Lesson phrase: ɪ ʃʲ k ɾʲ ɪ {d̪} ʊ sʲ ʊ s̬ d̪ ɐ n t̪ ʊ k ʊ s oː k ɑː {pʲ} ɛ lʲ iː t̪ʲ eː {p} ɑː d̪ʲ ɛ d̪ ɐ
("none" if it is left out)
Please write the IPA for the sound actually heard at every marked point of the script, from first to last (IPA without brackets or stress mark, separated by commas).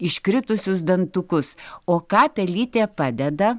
t̪, pʲ, p